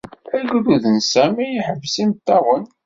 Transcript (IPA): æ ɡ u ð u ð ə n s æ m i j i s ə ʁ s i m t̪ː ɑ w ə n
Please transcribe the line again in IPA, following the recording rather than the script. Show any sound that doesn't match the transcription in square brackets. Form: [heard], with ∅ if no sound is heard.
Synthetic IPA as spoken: æ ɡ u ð u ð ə n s æ m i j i [ħ] ə [v] s i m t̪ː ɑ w ə n